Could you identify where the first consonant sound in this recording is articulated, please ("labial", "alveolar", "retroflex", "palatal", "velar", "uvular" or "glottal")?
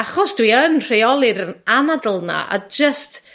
uvular